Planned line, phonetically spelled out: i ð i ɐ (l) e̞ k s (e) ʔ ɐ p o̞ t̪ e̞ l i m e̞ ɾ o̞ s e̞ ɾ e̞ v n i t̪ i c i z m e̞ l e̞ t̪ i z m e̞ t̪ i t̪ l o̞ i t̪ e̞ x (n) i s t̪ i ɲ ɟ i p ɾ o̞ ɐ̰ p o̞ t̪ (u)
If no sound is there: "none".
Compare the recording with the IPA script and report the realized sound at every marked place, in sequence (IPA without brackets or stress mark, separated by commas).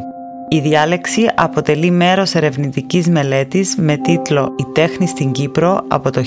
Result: l, i, n, o